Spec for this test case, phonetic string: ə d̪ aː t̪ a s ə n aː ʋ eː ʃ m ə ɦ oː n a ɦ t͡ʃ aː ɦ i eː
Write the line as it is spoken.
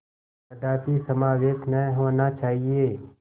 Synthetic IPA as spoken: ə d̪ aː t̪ i s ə m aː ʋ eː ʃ n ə ɦ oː n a t͡ʃ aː ɦ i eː

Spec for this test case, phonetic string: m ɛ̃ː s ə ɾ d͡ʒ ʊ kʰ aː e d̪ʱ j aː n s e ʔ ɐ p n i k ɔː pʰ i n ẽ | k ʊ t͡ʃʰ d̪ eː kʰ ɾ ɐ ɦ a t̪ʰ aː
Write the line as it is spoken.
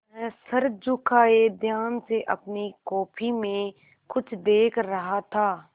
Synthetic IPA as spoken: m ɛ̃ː s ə ɾ d͡ʒ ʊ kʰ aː e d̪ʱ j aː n s e ʔ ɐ p n i k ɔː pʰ i m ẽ | k ʊ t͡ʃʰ d̪ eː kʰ ɾ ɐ ɦ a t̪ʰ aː

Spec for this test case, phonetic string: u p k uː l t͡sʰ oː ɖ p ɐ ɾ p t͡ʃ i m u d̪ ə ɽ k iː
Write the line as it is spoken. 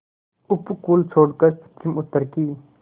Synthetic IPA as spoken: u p k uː l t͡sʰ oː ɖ k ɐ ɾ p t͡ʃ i m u t̪ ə ɾ k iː

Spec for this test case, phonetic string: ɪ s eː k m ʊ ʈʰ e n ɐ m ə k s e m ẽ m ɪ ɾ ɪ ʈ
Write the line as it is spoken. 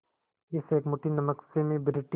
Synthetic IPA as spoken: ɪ s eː k m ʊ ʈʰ i n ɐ m ə k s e m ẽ b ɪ ɾ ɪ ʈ

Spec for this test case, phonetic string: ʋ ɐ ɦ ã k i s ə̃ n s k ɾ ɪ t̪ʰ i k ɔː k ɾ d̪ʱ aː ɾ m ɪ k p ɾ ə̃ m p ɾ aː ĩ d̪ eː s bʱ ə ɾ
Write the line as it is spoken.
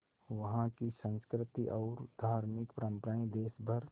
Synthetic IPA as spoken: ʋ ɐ ɦ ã k i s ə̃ n s k ɾ ɪ t̪ i ʔ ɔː ɾ d̪ʱ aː ɾ m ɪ k p ɾ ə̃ m p ɾ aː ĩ d̪ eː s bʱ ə ɾ

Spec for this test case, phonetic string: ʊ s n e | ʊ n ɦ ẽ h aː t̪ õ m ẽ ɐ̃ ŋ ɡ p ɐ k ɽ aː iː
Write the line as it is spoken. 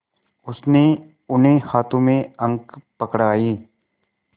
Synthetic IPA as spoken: ʊ s n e | ʊ n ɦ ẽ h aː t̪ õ m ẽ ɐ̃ ŋ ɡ p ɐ k ɽ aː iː

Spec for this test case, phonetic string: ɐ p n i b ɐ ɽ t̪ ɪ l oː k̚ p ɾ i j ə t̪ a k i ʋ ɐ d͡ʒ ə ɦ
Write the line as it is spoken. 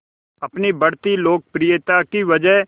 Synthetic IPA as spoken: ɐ p n i b ɐ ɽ t̪ i l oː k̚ p ɾ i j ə t̪ a k i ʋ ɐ d͡ʒ ə ɦ

